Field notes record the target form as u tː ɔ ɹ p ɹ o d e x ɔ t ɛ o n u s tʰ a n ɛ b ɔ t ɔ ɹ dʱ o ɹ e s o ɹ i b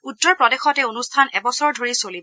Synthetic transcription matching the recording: u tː ɔ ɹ p ɹ ɔ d e x ɔ t ɛ o n u s tʰ a n ɛ b ɔ s ɔ ɹ dʱ o ɹ i s o l i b

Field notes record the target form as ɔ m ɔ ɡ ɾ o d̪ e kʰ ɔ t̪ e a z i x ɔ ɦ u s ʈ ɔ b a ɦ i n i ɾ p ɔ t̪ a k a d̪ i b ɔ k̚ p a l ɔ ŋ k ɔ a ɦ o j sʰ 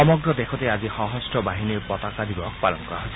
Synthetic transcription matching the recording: ɔ m ɔ ɡ ɾ ɔ d̪ e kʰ ɔ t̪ e a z i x ɔ ɦ ɔ s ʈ ɔ b a ɦ i n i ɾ p ɔ t̪ a k a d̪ i b ɔ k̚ p a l ɔ ŋ k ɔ a ɦ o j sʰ

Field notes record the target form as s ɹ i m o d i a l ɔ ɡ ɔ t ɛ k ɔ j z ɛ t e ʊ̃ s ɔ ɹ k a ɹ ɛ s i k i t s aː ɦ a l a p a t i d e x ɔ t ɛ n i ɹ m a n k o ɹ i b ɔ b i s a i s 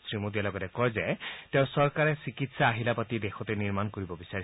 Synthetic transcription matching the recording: s ɹ i m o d i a l ɔ ɡ ɔ t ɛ k ɔ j z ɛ t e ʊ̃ s ɔ ɹ k a ɹ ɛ s i k i t s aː ɦ i l a p a t i d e x ɔ t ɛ n i ɹ m a n k o ɹ i b ɔ b i s a i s

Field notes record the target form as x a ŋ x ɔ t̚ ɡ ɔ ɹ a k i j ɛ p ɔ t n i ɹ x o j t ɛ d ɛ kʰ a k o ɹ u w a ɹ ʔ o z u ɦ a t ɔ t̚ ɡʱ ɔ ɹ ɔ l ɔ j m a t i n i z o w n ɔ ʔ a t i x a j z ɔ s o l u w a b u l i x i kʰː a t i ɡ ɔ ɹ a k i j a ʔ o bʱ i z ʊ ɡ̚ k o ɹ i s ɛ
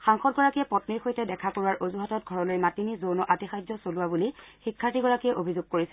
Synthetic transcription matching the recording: x a ŋ x ɔ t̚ ɡ ɔ ɹ a k i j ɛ p ɔ t n i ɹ x o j t ɛ d ɛ kʰ a k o ɹ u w a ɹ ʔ o z u ɦ a t ɔ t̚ ɡʱ ɔ ɹ ɔ l o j m a t i n i z o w n ɔ ʔ a t i x a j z ɔ s o l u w a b u l i x i kʰː a t i ɡ ɔ ɹ a k i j ɛ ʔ o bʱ i z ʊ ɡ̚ k o ɹ i s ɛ

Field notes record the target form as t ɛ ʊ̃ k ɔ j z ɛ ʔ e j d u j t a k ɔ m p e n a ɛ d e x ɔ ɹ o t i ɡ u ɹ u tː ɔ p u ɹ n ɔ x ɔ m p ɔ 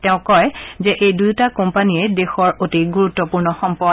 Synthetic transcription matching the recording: t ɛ ʊ̃ k ɔ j z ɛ ʔ e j d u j t a k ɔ m p a n i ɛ d e x ɔ ɹ o t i ɡ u ɹ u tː ɔ p u ɹ n ɔ x ɔ m p ɔ

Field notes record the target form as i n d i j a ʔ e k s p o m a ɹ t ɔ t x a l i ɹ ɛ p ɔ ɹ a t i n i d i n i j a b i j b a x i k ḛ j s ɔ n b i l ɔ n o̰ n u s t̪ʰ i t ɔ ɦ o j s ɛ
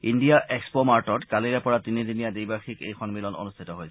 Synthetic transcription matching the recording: i n d i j a ʔ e k s p o m a ɹ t ɔ t k a l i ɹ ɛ p ɔ ɹ a t i n i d i n i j a d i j b a x i k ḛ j x ɔ n m i l ɔ n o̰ n u s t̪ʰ i t ɔ ɦ o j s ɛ

